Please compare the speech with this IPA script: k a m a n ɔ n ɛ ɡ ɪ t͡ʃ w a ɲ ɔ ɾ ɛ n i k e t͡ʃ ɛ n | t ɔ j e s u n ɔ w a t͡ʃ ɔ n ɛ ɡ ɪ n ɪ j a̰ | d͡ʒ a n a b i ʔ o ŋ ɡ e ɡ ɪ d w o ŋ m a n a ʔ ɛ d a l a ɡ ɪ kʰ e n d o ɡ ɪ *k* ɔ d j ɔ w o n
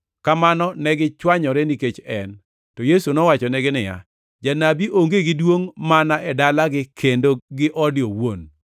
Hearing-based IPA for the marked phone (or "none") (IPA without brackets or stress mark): ʔ